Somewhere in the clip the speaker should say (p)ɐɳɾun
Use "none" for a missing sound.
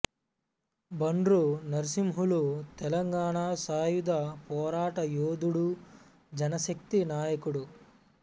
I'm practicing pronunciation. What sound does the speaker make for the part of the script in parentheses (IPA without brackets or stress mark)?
b